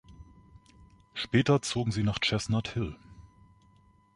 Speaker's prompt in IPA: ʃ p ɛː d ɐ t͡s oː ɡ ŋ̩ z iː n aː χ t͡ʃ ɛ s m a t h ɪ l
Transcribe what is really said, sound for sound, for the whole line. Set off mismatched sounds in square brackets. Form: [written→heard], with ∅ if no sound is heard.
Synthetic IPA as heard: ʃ p ɛː [d→t] ɐ t͡s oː ɡ ŋ̩ z iː n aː χ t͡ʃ ɛ s [m→n] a t h ɪ l